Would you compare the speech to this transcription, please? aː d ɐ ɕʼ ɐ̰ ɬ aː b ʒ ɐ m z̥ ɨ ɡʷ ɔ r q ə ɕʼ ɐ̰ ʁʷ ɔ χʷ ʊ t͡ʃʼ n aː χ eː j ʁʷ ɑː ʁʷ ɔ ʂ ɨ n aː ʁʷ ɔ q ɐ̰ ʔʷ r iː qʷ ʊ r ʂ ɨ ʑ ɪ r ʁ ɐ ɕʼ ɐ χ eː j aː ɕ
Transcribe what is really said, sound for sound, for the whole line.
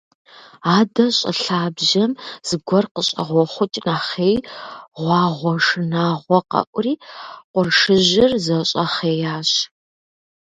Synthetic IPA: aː d ɐ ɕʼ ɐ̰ ɬ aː b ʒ ɐ m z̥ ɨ ɡʷ ɔ r q ə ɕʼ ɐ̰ ʁʷ ɔ χʷ ʊ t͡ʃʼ n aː χ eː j ʁʷ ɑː ʁʷ ɔ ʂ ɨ n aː ʁʷ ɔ q ɐ̰ ʔʷ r iː qʷ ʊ r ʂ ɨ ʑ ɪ r z ɐ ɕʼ ɐ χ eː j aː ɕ